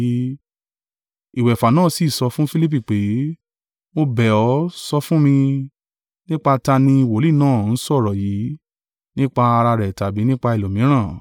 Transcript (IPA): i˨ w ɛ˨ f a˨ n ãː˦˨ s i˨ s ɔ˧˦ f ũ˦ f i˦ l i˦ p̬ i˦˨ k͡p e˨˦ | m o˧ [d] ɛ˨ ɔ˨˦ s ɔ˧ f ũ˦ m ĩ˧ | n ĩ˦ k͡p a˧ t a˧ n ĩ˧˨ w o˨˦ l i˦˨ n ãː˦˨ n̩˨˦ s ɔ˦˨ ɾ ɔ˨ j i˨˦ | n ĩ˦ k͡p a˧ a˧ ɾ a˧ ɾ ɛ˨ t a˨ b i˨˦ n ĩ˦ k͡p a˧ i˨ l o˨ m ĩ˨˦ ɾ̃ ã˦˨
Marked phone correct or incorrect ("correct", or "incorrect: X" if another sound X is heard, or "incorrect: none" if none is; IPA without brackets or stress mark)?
incorrect: b